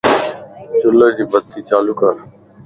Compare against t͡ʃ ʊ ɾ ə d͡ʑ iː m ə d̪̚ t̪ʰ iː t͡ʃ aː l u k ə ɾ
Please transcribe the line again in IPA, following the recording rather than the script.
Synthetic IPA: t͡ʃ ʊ l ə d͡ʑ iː b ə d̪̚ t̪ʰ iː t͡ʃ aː l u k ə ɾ

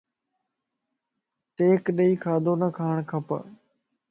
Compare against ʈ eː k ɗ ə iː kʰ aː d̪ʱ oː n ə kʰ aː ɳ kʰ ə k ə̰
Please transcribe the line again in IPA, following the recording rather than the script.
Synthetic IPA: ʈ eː k ɗ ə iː kʰ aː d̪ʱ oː n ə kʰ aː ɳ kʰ ə p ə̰

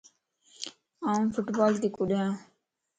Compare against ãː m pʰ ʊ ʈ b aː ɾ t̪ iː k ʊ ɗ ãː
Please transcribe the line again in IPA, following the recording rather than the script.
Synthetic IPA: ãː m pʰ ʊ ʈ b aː l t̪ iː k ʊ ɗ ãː

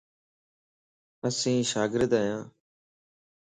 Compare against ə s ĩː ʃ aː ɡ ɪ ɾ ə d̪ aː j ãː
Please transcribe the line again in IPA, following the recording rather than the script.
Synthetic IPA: ə s ĩː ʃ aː ɡ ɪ ɾ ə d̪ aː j ãː

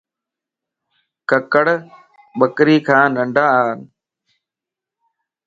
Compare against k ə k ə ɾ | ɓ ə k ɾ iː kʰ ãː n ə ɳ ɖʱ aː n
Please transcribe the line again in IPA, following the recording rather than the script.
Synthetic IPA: k ə k ə ɽ | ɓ ə k ɾ iː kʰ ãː n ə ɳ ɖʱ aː n

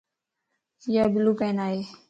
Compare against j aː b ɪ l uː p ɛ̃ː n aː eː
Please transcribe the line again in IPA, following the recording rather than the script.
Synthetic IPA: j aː b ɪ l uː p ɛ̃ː n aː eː

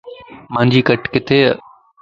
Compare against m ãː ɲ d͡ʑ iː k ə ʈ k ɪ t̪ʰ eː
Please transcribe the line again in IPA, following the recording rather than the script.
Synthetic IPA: m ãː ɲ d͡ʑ iː k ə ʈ k ɪ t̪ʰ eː

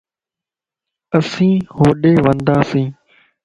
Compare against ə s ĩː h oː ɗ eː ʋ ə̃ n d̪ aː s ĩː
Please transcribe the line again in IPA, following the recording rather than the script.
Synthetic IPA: ə s ĩː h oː ɗ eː ʋ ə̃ n d̪ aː s ĩː

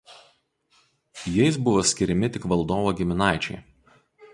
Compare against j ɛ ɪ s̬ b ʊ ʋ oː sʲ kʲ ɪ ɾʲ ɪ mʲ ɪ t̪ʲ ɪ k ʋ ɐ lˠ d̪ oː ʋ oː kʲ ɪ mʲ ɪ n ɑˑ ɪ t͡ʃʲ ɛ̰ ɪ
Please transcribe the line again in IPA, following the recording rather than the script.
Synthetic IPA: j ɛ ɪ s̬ b ʊ ʋ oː sʲ kʲ ɪ ɾʲ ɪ mʲ ɪ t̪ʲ ɪ k ʋ ɐ lˠ d̪ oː ʋ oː ɡʲ ɪ mʲ ɪ n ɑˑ ɪ t͡ʃʲ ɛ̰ ɪ

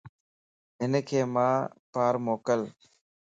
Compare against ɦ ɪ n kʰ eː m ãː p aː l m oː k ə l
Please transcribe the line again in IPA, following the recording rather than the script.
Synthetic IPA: ɦ ɪ n kʰ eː m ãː p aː ɾ m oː k ə l

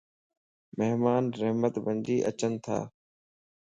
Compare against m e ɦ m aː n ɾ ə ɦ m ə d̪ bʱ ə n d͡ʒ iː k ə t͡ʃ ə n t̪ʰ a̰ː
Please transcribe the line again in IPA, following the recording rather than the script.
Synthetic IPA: m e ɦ m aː n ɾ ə ɦ m ə t̪ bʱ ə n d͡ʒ iː ʔ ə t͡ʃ ə n t̪ʰ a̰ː

